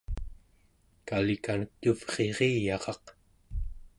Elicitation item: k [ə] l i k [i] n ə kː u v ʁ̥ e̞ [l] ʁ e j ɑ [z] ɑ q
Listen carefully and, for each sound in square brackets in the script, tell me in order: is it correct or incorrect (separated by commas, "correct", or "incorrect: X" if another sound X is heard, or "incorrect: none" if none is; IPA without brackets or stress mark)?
incorrect: a, incorrect: a, incorrect: none, incorrect: ʁ